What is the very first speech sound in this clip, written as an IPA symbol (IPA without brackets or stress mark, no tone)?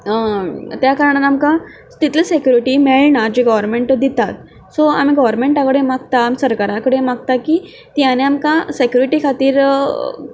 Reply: t̪